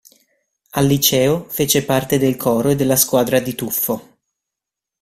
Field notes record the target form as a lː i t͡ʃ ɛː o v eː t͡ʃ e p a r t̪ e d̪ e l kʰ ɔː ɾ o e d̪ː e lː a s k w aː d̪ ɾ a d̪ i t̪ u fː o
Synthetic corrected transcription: a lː i t͡ʃ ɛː o f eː t͡ʃ e p a r t̪ e d̪ e l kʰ ɔː ɾ o e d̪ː e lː a s k w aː d̪ ɾ a d̪ i t̪ u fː o